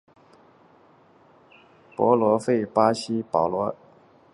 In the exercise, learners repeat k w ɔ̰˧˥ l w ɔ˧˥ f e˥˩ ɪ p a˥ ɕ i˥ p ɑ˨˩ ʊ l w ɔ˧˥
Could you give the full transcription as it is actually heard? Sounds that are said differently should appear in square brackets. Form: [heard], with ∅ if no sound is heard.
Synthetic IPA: [p] w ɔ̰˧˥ l w ɔ˧˥ f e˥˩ ɪ p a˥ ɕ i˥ p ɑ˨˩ ʊ l w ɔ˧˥